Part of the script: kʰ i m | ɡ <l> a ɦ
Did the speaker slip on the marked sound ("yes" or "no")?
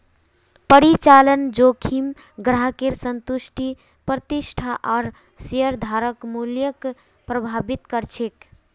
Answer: yes